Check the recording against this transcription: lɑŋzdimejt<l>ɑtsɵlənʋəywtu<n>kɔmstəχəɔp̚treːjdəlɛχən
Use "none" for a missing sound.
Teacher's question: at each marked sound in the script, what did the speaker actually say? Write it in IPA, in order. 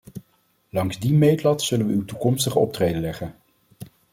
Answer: l, none

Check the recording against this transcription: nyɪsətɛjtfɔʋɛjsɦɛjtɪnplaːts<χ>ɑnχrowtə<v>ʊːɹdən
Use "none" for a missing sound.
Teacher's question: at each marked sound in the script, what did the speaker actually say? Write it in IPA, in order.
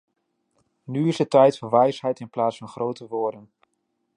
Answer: f, ʋ

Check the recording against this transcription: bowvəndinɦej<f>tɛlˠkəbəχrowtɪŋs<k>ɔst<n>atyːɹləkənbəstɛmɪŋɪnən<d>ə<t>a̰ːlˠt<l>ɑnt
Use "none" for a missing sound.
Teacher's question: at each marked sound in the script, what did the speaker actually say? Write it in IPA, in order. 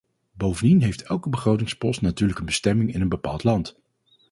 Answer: f, p, n, b, p, l

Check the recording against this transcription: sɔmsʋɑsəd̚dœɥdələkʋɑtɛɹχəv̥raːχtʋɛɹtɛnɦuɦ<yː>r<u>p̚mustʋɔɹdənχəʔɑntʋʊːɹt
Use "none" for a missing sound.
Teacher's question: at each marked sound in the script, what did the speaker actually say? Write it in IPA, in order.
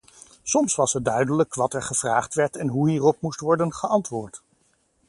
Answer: iː, ɔ

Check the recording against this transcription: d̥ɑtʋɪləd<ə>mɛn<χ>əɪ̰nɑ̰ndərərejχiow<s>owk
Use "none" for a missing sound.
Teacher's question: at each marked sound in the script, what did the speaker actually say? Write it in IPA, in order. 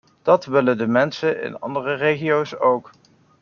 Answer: ə, s, s

